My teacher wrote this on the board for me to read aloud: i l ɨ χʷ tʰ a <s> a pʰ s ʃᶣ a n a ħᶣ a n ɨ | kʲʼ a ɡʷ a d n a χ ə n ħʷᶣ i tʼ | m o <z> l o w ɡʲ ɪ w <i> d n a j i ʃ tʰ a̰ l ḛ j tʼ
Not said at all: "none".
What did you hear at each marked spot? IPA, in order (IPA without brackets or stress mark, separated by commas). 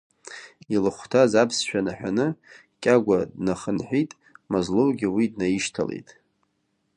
z, z, i